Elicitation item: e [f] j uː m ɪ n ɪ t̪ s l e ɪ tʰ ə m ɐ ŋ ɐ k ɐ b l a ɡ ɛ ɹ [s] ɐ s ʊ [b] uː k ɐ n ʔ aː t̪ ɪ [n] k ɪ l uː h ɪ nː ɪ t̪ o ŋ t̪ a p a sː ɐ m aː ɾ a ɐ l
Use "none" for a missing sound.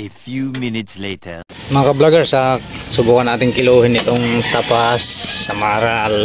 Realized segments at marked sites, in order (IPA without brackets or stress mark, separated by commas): f, s, b, ŋ